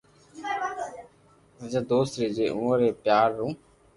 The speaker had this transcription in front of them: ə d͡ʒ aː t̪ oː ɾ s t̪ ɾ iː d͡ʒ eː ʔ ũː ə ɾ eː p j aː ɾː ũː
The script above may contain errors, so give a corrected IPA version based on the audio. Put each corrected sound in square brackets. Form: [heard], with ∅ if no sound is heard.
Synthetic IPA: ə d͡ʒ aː [d̪] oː [∅] s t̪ ɾ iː d͡ʒ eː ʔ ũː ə ɾ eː p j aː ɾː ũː

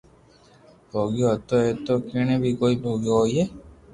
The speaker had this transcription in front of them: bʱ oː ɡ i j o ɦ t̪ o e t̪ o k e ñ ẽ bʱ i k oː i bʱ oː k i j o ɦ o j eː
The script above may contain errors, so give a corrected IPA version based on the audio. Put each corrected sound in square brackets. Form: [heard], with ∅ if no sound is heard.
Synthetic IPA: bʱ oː ɡ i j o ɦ t̪ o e t̪ o k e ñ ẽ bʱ i k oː i bʱ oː [ɡ] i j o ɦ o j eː

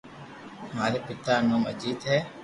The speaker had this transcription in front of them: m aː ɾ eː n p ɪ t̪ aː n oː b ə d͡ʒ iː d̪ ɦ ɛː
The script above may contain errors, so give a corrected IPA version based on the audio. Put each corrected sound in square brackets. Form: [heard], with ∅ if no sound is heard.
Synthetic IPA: m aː ɾ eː [∅] p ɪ t̪ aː n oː [m] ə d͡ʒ iː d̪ ɦ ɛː

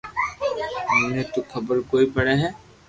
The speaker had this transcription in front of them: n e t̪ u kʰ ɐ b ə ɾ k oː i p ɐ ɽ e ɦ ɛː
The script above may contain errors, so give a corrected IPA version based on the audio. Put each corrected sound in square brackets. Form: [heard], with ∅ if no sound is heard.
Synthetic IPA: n e t̪ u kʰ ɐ b ə ɾ k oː i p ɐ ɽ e ɦ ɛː

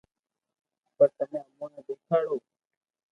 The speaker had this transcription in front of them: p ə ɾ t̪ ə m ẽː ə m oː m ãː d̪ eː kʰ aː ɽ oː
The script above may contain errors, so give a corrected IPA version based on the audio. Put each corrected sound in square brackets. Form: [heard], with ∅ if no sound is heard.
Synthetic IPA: p ə ɾ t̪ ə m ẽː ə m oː [n] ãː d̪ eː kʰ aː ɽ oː

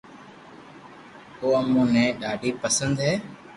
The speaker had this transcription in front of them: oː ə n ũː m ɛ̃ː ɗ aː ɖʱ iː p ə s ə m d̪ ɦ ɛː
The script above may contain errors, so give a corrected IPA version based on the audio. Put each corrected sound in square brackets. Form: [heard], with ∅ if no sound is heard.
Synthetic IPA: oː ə [m] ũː [n] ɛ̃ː ɗ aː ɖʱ iː p ə s ə [n] d̪ ɦ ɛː

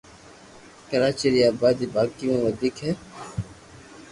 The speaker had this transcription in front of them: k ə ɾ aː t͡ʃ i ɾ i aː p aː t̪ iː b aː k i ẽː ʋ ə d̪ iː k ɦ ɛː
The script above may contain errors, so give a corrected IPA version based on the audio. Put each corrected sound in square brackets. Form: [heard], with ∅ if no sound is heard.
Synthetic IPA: k ə ɾ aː t͡ʃ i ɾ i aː [b] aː [d̪] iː b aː k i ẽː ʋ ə d̪ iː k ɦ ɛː

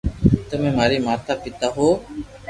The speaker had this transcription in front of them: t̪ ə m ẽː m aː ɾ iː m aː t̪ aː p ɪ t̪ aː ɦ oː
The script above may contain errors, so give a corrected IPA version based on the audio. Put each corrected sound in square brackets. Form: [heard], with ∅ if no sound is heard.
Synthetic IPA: t̪ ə m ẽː m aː ɾ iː m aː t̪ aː p ɪ t̪ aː ɦ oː

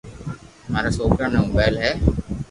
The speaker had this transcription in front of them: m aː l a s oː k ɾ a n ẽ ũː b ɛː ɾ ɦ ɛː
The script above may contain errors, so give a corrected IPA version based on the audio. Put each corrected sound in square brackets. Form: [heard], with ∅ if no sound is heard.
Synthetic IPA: m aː [ɾ] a s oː k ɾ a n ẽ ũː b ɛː [l] ɦ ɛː

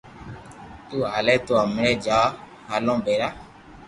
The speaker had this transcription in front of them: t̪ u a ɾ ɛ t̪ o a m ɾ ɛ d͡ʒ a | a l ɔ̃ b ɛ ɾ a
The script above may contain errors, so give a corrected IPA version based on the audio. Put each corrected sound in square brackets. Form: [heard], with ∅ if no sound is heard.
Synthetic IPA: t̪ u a [l] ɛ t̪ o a m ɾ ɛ d͡ʒ a | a l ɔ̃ b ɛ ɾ a

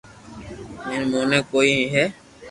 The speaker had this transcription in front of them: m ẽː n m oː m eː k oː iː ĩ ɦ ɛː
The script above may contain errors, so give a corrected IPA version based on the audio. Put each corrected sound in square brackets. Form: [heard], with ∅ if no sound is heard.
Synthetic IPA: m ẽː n m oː [n] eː k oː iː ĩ ɦ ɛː

